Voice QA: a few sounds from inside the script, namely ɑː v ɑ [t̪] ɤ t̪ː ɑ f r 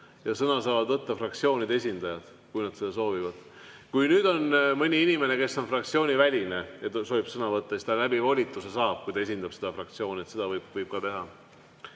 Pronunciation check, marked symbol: incorrect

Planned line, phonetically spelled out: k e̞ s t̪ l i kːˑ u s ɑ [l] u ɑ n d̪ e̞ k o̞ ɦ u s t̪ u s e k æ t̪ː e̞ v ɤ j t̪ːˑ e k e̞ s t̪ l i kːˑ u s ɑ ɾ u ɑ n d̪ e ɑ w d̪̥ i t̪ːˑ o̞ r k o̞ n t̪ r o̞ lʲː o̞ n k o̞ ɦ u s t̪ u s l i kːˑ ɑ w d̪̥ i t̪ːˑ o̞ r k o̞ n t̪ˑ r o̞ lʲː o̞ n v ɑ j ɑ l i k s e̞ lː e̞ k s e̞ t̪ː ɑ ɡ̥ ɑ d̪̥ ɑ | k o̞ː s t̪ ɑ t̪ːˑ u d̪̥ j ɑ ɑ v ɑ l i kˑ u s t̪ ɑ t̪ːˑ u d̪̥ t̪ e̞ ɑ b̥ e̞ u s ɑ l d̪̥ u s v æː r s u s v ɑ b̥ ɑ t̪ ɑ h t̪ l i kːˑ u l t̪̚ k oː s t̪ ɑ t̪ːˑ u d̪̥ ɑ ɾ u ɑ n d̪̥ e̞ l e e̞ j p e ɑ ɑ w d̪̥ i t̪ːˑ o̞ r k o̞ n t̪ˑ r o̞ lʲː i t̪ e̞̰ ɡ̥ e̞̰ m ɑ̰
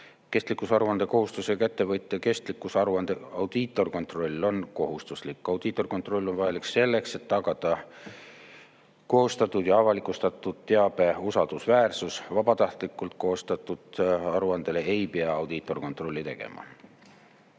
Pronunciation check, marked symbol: incorrect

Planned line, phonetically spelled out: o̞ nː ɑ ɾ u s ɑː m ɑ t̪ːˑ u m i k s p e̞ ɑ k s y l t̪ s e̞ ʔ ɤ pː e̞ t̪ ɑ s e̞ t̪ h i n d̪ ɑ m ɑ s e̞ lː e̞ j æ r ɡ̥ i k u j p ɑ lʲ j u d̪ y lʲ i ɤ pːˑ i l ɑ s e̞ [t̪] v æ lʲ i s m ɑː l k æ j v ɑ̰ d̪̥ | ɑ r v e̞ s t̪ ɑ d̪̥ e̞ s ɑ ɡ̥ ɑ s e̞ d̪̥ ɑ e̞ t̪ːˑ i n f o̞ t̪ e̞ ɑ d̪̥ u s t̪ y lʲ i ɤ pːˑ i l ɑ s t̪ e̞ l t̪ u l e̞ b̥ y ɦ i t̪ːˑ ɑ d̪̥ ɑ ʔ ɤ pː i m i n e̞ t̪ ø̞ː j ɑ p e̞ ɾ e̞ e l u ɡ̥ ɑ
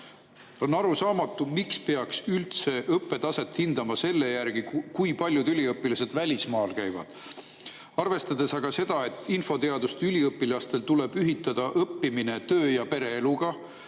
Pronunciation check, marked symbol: incorrect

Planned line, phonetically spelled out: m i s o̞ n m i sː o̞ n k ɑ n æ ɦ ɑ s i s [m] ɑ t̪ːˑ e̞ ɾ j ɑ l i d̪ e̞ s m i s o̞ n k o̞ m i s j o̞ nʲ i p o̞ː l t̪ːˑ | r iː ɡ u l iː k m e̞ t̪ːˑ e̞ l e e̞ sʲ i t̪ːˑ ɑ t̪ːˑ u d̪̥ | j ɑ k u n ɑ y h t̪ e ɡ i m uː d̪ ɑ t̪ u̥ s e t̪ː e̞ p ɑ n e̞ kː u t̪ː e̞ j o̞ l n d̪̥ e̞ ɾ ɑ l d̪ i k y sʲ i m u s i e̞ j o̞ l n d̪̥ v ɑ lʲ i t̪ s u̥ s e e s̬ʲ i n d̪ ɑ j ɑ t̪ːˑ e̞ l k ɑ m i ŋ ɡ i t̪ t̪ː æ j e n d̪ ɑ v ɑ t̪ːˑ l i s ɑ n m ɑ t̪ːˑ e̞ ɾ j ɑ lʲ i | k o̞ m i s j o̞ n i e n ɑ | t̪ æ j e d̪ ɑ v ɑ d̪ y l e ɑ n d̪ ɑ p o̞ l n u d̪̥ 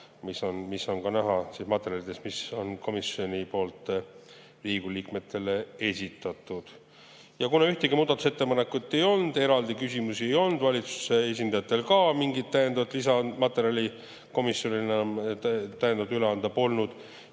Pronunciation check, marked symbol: correct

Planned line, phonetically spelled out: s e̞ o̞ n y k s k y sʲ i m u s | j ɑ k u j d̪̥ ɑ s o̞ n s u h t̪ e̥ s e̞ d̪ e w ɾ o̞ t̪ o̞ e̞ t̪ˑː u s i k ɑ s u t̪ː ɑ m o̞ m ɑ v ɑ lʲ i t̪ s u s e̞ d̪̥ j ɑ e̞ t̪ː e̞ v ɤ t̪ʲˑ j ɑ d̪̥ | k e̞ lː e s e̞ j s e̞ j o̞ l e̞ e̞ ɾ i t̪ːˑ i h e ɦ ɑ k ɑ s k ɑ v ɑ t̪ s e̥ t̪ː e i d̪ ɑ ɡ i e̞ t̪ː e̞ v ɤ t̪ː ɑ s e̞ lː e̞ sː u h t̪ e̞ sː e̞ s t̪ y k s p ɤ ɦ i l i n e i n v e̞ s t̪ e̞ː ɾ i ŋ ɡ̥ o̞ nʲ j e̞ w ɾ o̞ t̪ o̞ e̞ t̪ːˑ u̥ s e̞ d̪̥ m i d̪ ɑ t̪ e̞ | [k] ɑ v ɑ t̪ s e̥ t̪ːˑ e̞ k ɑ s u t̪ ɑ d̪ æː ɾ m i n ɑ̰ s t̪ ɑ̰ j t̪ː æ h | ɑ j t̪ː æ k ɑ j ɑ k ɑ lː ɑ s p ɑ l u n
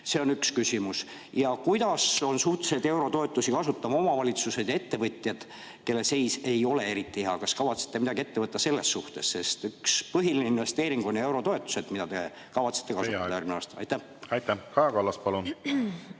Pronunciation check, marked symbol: correct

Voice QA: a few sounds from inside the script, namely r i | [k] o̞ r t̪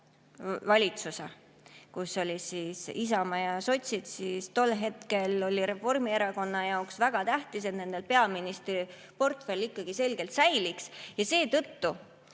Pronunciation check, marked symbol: incorrect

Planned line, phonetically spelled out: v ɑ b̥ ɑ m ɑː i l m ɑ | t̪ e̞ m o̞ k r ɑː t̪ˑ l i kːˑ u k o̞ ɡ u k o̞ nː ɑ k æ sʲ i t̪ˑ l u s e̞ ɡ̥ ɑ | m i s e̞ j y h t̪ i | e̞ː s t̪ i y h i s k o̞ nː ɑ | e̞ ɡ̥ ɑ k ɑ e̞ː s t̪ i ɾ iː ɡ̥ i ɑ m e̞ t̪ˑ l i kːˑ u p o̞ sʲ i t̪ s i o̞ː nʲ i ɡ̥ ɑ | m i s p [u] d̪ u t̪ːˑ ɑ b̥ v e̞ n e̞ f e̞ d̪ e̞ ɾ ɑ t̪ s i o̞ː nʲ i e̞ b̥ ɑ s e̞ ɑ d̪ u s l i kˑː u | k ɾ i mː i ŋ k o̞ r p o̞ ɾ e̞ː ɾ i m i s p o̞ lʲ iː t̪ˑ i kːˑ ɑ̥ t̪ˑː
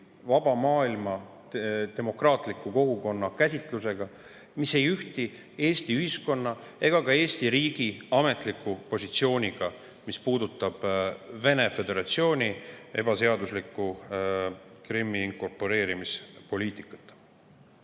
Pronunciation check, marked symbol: incorrect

